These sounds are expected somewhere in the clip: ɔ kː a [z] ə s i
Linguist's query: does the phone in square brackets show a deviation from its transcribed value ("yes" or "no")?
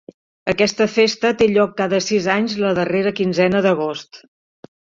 yes